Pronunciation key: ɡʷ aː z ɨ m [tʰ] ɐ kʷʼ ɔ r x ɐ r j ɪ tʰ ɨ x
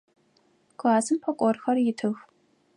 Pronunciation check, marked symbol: incorrect: pʰ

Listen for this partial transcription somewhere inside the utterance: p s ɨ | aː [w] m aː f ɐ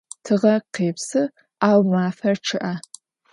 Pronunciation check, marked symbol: correct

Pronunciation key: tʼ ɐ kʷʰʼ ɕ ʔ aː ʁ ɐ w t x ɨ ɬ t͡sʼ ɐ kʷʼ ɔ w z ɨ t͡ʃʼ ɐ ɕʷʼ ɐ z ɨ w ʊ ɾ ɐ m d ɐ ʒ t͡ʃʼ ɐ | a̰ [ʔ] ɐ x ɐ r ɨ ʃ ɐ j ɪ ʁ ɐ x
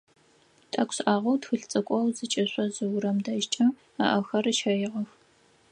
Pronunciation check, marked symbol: correct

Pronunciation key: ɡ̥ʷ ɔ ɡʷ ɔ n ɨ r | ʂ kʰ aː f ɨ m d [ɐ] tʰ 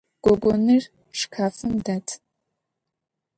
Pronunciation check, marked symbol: incorrect: a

